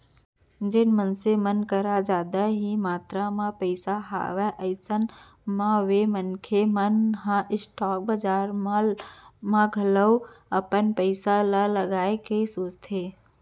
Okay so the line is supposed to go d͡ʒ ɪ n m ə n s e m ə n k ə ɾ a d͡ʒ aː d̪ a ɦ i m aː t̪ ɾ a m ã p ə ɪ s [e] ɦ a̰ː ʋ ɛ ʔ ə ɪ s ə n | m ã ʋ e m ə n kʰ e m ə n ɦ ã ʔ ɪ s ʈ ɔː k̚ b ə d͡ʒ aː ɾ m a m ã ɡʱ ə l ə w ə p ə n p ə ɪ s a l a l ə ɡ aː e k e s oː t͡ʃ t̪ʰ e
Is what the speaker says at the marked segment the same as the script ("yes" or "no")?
no